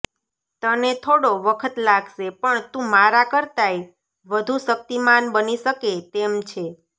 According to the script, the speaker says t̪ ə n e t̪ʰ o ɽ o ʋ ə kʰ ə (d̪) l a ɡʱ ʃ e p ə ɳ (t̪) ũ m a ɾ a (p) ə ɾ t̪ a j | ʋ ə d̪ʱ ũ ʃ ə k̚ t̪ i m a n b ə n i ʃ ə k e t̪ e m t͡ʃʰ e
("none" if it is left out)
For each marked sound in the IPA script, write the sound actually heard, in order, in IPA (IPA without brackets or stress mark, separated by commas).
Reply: t̪, t̪, k